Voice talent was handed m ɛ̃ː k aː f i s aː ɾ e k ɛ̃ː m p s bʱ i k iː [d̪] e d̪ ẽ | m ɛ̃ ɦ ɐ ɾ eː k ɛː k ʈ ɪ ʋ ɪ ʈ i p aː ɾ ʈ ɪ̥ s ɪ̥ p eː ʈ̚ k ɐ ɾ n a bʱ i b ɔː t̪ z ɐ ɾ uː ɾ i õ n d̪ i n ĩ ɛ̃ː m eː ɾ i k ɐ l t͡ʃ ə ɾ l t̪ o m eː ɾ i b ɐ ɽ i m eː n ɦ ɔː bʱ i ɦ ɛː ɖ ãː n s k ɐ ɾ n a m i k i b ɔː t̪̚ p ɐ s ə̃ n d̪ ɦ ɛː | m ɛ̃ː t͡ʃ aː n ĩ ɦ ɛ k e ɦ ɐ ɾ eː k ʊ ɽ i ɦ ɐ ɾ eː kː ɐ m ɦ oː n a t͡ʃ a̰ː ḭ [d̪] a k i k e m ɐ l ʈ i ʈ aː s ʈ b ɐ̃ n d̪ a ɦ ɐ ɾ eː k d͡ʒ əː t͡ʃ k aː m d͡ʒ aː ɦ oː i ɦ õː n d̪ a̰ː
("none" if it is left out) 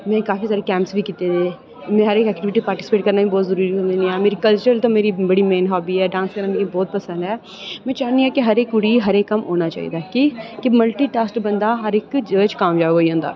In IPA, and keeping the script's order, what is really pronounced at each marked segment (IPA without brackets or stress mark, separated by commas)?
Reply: t̪, d̪